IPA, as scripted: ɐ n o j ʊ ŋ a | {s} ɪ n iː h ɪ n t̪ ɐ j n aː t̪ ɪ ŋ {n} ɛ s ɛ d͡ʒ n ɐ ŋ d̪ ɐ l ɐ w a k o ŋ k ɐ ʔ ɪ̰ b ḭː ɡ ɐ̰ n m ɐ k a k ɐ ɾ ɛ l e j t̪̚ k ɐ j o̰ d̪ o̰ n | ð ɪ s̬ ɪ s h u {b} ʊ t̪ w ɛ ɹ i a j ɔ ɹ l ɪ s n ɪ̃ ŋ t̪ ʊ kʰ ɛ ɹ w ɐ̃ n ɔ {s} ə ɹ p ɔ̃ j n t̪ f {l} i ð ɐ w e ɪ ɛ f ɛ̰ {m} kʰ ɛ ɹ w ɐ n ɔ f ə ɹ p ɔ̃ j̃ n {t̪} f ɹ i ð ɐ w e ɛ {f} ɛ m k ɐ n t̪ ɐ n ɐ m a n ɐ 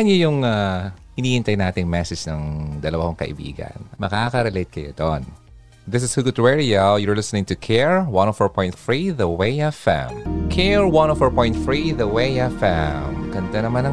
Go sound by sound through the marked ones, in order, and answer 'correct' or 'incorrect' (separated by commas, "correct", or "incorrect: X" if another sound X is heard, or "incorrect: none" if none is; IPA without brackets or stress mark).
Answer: incorrect: h, incorrect: m, incorrect: ɡ, incorrect: f, incorrect: ɹ, correct, correct, correct